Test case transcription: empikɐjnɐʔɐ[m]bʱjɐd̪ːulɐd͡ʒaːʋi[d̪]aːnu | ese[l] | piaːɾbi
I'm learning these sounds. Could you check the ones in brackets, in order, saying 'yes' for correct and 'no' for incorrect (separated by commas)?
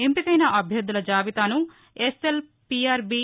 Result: no, no, yes